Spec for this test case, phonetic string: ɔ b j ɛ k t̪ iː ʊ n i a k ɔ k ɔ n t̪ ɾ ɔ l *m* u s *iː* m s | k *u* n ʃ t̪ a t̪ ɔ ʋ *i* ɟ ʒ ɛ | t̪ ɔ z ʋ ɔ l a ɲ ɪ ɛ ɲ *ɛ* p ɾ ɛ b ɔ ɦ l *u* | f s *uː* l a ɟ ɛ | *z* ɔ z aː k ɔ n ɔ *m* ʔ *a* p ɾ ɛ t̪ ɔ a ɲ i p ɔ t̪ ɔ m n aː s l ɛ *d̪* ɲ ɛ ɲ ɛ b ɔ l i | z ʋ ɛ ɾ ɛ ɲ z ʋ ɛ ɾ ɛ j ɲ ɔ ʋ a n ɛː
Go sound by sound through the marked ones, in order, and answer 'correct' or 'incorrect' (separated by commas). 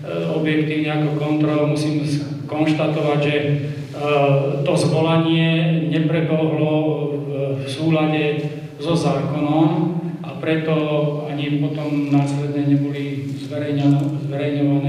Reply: correct, correct, incorrect, incorrect, correct, incorrect, correct, correct, correct, correct, correct